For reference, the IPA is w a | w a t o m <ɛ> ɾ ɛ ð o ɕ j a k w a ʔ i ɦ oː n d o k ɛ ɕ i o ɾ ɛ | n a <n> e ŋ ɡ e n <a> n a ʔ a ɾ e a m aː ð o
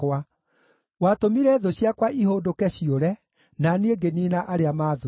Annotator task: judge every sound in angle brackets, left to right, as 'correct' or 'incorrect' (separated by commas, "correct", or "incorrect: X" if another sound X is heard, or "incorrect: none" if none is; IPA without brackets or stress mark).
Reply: incorrect: i, correct, incorrect: i